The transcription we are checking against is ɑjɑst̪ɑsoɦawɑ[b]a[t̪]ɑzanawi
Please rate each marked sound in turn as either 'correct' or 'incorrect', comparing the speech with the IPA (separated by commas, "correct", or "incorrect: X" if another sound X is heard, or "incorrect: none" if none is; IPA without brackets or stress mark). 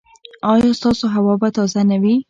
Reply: correct, correct